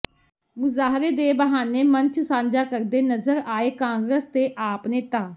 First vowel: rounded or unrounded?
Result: rounded